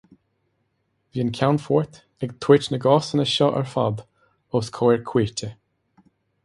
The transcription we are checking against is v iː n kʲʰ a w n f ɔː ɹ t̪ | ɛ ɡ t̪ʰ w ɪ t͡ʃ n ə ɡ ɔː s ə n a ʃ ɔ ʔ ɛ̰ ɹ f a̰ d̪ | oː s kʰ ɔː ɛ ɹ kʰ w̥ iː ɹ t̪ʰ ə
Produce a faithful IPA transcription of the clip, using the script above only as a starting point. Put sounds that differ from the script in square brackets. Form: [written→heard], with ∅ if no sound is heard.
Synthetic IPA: v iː n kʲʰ a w n f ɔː ɹ t̪ | ɛ ɡ t̪ʰ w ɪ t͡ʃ n ə ɡ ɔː s ə n [a→ə] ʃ ɔ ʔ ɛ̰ ɹ f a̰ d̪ | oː s kʰ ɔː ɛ ɹ kʰ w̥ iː ɹ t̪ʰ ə